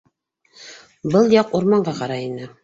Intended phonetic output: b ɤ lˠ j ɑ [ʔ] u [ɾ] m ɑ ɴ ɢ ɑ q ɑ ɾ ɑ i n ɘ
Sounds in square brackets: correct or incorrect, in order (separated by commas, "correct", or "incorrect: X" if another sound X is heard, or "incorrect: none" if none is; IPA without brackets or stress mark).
incorrect: q, correct